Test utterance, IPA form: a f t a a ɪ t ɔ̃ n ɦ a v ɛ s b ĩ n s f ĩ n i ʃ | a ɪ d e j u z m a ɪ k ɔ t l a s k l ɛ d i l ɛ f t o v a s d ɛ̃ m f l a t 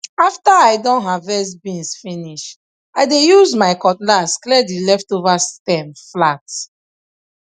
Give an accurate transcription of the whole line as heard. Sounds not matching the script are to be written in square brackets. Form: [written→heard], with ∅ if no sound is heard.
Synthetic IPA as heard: a f t a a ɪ [t→d] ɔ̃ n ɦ a v ɛ s b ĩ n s f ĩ n i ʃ | a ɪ d e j u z m a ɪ k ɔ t l a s k l ɛ d i l ɛ f t o v a s [d→t] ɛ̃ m f l a t